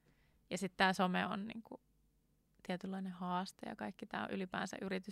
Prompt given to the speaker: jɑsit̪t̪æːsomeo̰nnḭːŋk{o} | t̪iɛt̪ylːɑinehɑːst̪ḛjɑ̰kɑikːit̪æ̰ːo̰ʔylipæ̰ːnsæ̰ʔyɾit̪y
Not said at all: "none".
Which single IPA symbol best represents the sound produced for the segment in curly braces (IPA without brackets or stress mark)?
u